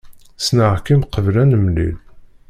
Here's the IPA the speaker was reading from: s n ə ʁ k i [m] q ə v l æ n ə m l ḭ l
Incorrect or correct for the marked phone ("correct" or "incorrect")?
correct